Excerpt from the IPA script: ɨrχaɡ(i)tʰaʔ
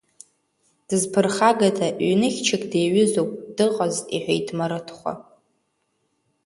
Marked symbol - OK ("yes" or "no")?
no